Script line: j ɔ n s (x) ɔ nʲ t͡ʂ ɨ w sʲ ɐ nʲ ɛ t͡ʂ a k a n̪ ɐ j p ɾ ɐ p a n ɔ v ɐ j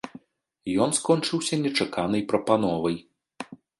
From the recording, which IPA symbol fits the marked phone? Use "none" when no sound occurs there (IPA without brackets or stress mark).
k